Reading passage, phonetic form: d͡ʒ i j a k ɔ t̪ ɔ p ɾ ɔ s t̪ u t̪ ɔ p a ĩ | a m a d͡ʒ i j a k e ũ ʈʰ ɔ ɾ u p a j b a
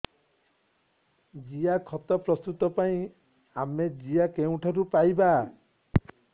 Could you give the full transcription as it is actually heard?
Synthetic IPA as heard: d͡ʒ i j a kʰ ɔ t̪ ɔ p ɾ ɔ s t̪ u t̪ ɔ p a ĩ | a m e d͡ʒ i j a k e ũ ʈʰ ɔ ɾ u p a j b a